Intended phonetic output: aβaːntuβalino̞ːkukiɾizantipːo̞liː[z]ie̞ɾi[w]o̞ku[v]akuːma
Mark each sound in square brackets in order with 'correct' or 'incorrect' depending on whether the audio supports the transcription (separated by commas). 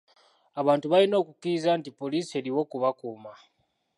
incorrect, correct, incorrect